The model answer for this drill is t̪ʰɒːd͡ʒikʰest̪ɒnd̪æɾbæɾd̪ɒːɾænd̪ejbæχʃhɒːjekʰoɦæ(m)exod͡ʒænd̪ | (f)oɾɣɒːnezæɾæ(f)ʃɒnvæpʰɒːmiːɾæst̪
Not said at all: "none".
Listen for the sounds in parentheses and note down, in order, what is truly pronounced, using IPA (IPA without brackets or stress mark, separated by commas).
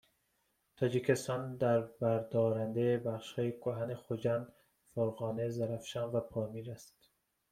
n, f, f